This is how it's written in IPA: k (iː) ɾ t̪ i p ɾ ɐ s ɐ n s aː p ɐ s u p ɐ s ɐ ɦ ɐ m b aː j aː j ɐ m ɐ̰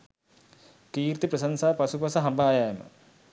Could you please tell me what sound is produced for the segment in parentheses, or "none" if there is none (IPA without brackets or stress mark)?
iː